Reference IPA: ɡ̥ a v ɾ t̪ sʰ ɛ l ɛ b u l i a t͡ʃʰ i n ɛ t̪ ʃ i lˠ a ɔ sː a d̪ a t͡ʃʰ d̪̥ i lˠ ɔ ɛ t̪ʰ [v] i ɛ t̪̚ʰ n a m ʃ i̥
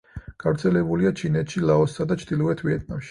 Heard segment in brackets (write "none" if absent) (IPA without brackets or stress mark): v